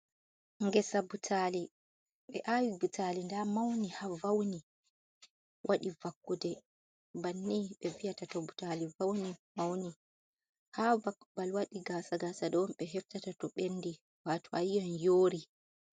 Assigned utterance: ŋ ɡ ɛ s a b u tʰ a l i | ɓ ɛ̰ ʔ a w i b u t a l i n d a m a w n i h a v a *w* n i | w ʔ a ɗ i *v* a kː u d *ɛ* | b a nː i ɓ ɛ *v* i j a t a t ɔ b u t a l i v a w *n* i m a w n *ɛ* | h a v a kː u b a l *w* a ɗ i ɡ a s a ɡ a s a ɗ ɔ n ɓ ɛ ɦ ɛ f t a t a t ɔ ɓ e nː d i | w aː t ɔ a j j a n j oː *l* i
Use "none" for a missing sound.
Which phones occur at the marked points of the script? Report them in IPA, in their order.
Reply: w, v, ɛ, v, n, i, w, ɾ

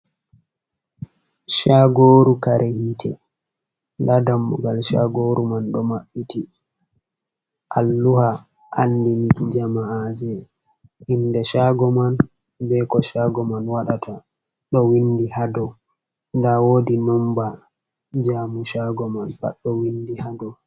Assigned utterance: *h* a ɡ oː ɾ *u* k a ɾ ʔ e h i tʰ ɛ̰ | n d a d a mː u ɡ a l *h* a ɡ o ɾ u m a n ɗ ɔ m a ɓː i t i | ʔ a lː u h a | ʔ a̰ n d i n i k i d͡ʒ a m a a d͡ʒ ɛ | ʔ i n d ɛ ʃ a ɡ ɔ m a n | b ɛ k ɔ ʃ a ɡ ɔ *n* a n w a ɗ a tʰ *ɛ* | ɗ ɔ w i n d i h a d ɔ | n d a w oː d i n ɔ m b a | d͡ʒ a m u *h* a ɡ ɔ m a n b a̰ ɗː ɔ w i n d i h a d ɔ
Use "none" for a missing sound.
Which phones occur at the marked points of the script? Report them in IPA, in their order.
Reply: ʃ, u, ʃ, m, a, ʃ

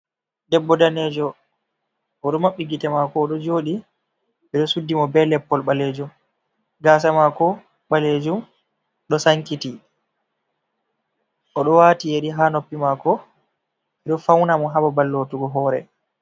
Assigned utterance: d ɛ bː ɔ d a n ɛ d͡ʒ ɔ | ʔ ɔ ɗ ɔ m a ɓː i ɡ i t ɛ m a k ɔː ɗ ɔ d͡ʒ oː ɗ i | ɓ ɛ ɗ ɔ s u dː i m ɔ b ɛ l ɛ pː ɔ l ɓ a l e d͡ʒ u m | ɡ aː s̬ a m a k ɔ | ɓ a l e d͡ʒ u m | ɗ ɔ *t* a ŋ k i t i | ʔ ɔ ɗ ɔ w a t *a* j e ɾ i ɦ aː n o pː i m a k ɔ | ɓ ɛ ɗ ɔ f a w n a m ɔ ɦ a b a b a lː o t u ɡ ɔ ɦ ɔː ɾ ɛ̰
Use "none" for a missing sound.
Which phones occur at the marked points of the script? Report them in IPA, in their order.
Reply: s, i

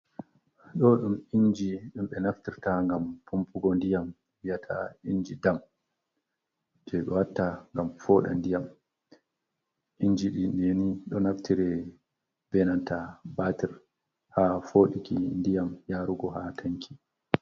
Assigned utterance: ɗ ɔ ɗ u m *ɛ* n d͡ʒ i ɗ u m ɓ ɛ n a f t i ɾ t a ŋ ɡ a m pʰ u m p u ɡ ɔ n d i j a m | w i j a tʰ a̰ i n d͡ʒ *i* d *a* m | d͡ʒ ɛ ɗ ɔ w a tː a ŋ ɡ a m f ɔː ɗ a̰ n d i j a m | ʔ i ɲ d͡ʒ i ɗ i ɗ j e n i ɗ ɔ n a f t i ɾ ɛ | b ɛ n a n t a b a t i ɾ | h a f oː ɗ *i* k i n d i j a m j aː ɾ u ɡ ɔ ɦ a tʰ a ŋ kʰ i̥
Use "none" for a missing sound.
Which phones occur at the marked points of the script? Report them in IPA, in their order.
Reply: i, i, a, i

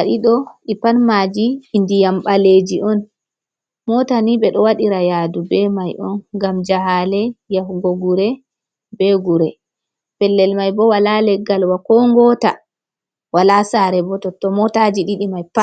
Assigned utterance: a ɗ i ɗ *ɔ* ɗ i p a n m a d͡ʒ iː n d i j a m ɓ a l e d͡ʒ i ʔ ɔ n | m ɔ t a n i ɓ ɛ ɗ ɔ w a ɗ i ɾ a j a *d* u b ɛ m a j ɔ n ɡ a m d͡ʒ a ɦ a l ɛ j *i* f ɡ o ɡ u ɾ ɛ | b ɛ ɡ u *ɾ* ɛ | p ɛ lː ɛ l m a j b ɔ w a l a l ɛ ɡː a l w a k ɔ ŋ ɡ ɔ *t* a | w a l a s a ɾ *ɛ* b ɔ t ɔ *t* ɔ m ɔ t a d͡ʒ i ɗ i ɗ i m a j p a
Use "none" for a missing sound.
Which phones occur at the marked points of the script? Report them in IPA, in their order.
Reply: ɔ, d, a, ɾ, t, ɛ, t

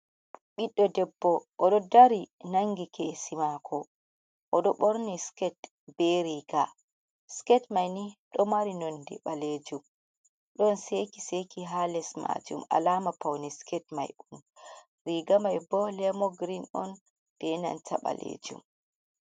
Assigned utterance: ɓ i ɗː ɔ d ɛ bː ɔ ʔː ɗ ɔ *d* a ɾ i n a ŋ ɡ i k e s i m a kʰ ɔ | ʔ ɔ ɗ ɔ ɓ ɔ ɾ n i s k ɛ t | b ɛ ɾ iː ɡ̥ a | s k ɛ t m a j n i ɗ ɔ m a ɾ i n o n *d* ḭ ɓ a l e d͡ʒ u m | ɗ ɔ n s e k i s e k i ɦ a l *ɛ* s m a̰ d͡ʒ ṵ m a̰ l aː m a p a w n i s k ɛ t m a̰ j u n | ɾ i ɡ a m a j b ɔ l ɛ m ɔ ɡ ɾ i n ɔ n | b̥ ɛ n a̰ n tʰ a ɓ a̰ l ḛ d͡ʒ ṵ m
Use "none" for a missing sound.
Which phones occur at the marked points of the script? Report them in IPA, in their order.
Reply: d, d, ɛ

